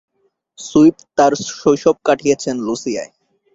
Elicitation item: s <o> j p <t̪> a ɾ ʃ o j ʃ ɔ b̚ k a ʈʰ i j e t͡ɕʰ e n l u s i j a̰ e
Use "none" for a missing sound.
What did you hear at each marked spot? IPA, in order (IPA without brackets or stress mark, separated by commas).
u, t̪